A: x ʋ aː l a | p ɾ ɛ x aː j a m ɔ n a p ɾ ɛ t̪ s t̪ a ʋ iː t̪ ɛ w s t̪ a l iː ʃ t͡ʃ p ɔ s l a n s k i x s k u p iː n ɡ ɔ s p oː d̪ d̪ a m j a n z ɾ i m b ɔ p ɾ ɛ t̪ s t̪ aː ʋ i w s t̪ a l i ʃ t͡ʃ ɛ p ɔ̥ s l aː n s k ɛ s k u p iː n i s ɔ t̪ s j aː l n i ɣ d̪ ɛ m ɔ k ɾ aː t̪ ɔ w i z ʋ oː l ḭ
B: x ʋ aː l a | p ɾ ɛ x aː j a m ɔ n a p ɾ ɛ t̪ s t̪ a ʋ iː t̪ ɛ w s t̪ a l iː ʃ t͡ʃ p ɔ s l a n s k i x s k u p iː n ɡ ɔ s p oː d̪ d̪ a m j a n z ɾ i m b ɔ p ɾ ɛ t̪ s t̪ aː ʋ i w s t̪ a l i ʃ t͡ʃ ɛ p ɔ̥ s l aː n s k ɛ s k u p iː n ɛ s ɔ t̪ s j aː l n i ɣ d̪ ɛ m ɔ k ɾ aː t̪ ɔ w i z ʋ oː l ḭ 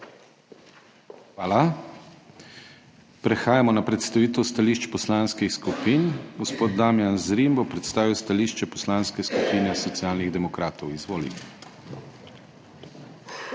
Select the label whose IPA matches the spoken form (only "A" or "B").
B